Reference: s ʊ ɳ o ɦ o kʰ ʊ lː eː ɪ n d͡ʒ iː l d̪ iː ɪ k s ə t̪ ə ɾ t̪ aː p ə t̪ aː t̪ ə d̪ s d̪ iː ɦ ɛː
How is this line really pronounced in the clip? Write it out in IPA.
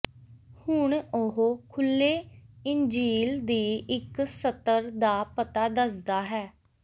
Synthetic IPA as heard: h ʊ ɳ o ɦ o kʰ ʊ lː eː ɪ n d͡ʒ iː l d̪ iː ɪ k s ə t̪ ə ɾ d̪ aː p ə t̪ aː d̪ ə s d̪ aː ɦ ɛː